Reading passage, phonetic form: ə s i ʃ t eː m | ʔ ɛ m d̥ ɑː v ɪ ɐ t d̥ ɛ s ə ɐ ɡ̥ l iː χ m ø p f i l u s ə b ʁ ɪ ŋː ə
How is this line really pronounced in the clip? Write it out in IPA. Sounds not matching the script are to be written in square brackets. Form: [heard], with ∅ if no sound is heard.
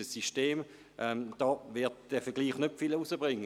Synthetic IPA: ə s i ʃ t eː m | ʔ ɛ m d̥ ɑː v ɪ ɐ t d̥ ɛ [f] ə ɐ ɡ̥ l iː χ [n] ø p f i l u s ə b ʁ ɪ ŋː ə